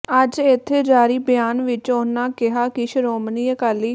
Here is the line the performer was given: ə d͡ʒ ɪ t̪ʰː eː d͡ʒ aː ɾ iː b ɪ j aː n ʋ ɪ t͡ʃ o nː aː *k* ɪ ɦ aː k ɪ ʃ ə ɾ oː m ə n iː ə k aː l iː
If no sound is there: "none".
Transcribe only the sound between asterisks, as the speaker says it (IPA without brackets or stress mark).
k